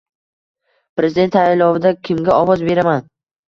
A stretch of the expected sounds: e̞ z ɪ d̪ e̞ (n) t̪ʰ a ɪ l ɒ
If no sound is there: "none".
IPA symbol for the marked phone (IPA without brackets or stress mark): n